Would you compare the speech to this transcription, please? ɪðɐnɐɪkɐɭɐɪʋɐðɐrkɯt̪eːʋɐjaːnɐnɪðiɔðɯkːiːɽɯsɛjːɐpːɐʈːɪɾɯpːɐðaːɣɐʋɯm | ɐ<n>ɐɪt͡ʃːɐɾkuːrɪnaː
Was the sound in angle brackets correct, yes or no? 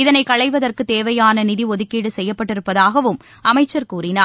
no